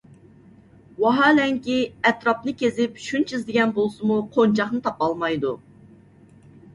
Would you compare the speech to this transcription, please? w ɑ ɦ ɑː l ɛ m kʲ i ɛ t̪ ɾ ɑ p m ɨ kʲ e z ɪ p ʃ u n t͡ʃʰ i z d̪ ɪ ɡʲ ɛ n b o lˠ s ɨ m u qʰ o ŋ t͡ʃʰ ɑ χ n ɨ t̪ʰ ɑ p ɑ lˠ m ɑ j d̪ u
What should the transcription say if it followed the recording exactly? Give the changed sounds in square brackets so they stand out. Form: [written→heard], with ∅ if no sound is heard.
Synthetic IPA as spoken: w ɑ ɦ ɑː l ɛ [m→ŋ] kʲ i ɛ t̪ ɾ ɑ p [m→n] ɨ kʲ e z ɪ p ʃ u n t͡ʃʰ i z d̪ ɪ ɡʲ ɛ n b o lˠ s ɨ m u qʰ o [ŋ→n] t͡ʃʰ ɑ χ n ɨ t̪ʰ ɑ p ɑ lˠ m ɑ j d̪ u